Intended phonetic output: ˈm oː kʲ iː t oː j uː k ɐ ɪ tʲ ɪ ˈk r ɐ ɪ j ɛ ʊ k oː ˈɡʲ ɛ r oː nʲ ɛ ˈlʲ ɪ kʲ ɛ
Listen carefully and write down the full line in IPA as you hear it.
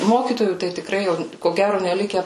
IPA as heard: ˈm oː kʲ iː t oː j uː t ɐ ɪ tʲ ɪ ˈk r ɐ ɪ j ɛ ʊ k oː ˈɡʲ æ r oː nʲ ɛ ˈlʲ ɪ kʲ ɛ